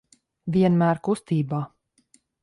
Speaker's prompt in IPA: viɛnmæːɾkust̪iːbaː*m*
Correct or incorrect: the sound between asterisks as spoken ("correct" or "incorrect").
incorrect